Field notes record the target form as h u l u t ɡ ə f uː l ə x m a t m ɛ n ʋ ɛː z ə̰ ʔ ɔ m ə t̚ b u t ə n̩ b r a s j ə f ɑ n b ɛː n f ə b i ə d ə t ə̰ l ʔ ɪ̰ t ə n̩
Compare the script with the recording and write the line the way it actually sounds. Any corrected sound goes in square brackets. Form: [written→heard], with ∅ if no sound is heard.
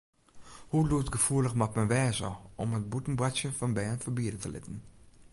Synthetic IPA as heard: h u l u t ɡ ə f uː l ə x m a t m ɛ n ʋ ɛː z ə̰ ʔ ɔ m ə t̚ b u t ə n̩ b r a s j ə f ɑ n b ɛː n f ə b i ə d ə t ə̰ l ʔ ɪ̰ t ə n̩